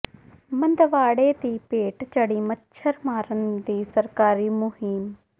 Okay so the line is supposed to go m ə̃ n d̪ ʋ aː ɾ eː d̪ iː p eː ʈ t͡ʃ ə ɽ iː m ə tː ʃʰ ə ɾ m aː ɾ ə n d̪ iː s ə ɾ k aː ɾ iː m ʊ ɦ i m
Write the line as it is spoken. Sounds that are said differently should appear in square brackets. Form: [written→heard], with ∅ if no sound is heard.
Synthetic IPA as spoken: m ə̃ n d̪ ʋ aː [ɾ→ɽ] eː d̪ iː p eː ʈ t͡ʃ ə ɽ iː m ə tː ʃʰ ə ɾ m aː ɾ ə n d̪ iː s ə ɾ k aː ɾ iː m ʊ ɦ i m